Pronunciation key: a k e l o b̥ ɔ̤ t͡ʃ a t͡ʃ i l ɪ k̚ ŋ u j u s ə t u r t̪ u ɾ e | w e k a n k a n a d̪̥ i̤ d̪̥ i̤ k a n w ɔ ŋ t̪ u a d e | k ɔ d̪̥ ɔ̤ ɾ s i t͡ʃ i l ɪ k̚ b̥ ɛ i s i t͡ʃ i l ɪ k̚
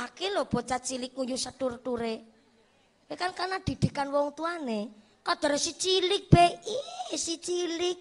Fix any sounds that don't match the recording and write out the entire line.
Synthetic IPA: a k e l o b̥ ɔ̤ t͡ʃ a t͡ʃ i l ɪ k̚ ŋ u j u s ə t u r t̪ u ɾ e | w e k a n k a n a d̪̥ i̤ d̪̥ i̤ k a n w ɔ ŋ t̪ u a n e | k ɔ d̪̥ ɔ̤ ɾ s i t͡ʃ i l ɪ k̚ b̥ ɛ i s i t͡ʃ i l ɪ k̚